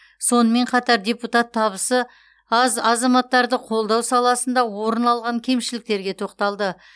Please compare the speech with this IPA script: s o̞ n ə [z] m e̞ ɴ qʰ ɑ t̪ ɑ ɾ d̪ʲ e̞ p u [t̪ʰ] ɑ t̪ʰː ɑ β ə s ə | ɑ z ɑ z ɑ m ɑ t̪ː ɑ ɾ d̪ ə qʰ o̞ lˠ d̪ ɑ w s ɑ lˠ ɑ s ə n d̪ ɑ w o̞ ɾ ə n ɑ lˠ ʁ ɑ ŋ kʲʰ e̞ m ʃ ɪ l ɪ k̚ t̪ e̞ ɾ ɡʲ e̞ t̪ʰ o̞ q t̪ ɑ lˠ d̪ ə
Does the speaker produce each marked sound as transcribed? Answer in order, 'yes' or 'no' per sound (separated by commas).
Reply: no, no